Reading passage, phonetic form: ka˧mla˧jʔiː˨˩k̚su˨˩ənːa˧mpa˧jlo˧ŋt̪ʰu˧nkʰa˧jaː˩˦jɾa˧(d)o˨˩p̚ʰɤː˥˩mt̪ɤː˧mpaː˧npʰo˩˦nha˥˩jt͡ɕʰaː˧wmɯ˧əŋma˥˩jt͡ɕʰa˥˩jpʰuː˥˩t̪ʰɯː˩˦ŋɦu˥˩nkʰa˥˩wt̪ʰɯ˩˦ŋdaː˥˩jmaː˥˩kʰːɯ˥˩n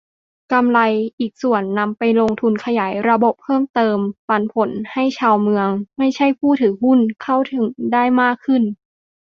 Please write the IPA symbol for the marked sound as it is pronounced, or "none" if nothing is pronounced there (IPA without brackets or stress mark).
b